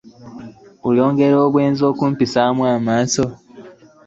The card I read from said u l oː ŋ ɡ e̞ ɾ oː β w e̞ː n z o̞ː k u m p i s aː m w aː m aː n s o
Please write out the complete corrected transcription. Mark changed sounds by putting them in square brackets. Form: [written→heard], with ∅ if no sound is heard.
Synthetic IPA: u l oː ŋ ɡ e̞ ɾ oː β w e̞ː n z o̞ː k u m p i s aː m w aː m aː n s o